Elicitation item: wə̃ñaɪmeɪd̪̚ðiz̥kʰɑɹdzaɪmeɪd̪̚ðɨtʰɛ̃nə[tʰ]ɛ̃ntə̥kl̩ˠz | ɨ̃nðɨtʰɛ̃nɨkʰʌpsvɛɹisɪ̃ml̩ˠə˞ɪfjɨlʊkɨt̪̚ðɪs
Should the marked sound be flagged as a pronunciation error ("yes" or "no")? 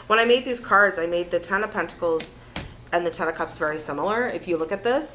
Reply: yes